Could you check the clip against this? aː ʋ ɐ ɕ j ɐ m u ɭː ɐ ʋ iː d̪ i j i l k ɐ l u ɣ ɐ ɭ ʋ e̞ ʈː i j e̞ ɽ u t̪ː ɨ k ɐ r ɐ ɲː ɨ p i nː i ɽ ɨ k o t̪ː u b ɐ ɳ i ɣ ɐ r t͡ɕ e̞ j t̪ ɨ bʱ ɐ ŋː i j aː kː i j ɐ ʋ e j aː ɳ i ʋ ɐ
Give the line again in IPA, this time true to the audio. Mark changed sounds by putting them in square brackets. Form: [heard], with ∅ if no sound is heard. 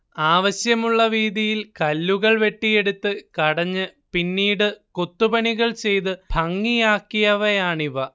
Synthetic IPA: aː ʋ ɐ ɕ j ɐ m u ɭː ɐ ʋ iː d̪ i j i l k ɐ [lː] u ɣ ɐ ɭ ʋ e̞ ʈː i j e̞ ɽ u t̪ː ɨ k ɐ [ɽ] ɐ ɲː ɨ p i nː [iː] ɽ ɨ k o t̪ː u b ɐ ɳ i ɣ ɐ [ɭ] t͡ɕ e̞ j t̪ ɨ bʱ ɐ ŋː i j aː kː i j ɐ ʋ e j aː ɳ i ʋ ɐ